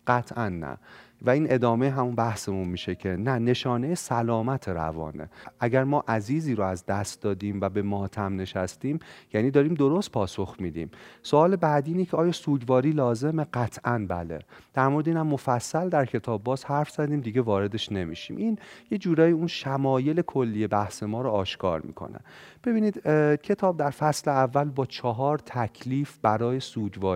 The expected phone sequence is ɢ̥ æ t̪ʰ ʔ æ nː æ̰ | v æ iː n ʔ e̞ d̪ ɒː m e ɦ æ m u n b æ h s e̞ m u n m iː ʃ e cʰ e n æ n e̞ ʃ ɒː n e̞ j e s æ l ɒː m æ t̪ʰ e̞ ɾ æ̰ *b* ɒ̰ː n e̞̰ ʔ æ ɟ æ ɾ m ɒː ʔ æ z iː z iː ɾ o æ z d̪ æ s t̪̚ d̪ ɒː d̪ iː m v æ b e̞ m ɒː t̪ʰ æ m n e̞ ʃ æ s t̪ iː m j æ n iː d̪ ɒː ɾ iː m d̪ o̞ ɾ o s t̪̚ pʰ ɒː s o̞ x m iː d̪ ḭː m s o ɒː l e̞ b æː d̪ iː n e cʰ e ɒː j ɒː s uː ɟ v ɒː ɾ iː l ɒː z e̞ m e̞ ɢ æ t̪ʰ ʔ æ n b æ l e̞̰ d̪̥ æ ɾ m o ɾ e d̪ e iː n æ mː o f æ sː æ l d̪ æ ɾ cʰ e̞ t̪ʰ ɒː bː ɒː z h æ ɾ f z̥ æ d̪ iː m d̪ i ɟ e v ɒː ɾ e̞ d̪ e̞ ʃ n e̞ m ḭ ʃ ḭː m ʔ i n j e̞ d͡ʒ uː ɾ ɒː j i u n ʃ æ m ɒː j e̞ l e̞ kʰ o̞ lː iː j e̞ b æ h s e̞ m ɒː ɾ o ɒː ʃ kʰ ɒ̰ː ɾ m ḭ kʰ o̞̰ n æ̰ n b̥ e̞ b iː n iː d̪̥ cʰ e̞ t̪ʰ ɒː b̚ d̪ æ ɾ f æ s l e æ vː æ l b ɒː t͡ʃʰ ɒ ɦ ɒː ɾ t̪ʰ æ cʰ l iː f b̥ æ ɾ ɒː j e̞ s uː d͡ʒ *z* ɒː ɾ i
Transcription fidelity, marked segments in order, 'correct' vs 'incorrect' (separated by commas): incorrect, incorrect